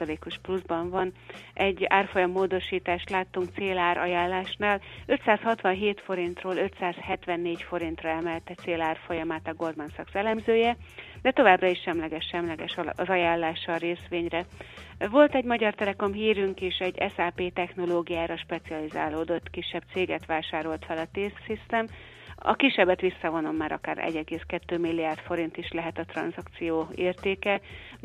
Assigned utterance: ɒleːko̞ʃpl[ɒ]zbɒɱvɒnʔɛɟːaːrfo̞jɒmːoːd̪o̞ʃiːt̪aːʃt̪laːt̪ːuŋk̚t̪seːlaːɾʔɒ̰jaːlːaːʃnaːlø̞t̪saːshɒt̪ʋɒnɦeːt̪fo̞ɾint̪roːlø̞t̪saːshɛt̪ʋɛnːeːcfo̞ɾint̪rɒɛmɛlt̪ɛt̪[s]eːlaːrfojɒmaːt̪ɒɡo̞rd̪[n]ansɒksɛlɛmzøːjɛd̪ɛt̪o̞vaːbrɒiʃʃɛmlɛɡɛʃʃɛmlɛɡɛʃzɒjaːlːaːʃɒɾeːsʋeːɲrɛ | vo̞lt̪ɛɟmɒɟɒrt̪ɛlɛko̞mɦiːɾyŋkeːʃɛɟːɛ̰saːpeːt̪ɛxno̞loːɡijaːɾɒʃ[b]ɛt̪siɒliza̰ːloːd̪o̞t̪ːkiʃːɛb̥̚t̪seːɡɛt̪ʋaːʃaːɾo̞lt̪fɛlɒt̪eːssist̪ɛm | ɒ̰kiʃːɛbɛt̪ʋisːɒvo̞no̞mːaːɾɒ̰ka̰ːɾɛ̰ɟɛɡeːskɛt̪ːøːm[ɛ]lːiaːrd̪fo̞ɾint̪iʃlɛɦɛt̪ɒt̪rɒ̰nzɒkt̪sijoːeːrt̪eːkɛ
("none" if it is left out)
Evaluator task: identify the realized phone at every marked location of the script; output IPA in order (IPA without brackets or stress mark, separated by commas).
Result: u, s, m, p, i